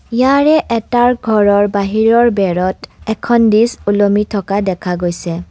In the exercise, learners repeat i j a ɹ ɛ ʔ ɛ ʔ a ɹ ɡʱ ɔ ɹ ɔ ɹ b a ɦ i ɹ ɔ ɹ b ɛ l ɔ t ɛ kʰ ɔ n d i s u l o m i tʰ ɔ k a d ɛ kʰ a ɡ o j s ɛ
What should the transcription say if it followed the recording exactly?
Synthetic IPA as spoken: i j a ɹ ɛ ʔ ɛ t a ɹ ɡʱ ɔ ɹ ɔ ɹ b a ɦ i ɹ ɔ ɹ b ɛ ɹ ɔ t ɛ kʰ ɔ n d i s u l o m i tʰ ɔ k a d ɛ kʰ a ɡ o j s ɛ